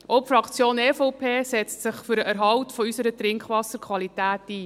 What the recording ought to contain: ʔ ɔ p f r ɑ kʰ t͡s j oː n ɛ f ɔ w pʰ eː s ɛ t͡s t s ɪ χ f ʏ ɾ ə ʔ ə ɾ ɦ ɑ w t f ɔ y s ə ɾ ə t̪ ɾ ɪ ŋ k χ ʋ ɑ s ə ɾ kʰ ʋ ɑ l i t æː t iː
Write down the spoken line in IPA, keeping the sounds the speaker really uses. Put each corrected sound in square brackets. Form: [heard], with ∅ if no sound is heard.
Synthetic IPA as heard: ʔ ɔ p f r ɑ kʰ t͡s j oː n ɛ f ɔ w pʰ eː s ɛ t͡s t s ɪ χ f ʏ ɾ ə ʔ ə ɾ ɦ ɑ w t f ɔ y s ə ɾ ə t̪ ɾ ɪ ŋ k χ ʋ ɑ s ə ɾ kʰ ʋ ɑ l i t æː t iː